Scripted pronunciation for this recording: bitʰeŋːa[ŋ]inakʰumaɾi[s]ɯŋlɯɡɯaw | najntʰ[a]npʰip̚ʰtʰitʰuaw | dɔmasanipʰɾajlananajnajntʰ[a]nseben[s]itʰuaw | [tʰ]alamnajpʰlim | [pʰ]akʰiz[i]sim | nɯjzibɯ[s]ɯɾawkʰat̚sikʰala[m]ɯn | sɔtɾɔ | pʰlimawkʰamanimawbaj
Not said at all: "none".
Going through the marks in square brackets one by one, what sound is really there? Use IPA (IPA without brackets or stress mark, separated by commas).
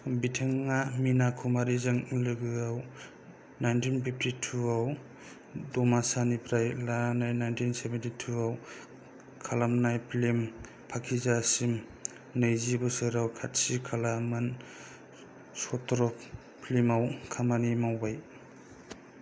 m, z, i, i, t, kʰ, pʰ, a, s, m